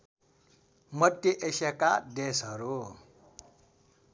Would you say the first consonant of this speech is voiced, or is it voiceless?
voiced